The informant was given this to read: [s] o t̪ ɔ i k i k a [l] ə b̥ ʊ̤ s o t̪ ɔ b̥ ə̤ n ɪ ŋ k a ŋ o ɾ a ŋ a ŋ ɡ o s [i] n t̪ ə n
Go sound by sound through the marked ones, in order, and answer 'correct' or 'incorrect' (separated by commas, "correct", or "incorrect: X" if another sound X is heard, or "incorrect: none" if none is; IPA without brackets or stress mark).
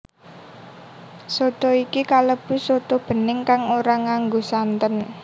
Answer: correct, correct, incorrect: a